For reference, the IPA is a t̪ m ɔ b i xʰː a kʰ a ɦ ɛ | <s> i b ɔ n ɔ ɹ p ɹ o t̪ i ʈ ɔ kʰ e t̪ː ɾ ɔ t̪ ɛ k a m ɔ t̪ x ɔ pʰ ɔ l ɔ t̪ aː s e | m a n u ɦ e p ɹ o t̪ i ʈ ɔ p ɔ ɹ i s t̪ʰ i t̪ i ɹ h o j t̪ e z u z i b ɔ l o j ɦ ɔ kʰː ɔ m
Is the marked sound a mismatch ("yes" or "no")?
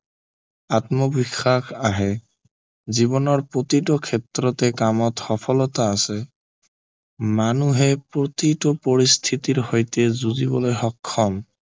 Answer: yes